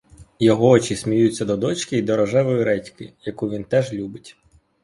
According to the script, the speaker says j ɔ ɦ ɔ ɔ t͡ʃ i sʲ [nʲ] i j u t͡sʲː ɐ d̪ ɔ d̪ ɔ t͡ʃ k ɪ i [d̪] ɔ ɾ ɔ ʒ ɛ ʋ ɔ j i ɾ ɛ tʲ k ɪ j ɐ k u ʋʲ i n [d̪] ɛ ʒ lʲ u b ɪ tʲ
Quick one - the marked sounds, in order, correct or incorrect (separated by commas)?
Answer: incorrect, correct, incorrect